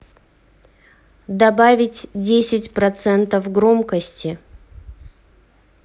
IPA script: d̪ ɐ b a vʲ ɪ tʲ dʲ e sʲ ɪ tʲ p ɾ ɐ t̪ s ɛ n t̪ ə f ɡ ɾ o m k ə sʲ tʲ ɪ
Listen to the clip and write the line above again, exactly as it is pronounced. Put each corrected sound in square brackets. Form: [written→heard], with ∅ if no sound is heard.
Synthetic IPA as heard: d̪ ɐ b a vʲ ɪ tʲ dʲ e sʲ ɪ tʲ p ɾ ɐ t̪ s ɛ n t̪ ə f ɡ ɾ o m k ə sʲ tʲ ɪ

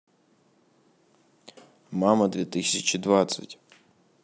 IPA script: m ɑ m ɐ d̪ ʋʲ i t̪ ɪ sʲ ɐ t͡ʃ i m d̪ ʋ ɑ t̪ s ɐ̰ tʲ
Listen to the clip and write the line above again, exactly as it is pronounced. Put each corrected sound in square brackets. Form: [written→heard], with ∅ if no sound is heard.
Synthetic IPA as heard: m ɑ m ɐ d̪ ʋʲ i t̪ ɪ sʲ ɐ t͡ʃ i [m→∅] d̪ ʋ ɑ t̪ s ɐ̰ tʲ

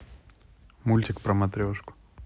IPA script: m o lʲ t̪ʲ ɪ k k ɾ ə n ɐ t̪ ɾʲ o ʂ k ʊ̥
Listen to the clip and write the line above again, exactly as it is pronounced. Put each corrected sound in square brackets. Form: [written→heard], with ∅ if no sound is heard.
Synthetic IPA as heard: m [o→u] lʲ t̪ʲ ɪ k [k→p] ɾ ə [n→m] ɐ t̪ ɾʲ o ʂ k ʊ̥

